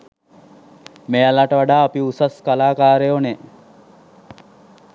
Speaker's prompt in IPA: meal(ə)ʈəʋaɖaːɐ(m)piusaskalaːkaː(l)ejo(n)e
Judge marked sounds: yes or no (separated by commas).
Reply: no, no, no, yes